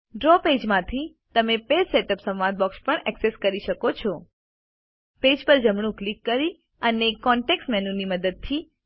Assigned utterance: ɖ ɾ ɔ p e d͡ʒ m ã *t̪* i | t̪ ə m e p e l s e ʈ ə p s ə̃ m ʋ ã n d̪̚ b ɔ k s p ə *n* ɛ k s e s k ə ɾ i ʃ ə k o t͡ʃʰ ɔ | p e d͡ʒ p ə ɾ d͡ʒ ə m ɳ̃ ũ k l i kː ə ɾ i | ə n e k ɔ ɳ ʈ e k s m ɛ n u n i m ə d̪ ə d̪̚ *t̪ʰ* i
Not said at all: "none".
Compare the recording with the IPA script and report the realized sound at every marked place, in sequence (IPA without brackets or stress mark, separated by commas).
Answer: t̪ʰ, ɳ, t̪ʰ